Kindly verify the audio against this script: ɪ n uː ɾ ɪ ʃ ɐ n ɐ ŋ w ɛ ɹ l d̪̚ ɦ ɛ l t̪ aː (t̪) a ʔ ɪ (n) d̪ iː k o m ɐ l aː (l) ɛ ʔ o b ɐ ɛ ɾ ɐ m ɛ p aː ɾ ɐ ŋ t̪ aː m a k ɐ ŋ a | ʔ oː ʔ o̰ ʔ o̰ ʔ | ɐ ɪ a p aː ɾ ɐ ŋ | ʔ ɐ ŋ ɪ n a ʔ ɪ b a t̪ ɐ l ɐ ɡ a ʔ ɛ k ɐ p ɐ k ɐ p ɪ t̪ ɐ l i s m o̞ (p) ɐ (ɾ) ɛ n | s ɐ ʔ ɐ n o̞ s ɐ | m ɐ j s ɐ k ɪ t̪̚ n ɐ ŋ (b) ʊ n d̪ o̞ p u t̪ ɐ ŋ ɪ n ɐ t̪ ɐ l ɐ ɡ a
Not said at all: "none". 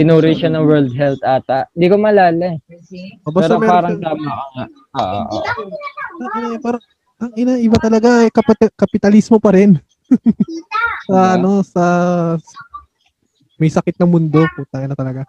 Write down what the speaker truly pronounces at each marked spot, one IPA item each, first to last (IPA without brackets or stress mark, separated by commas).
t̪, n, l, p, ɾ, m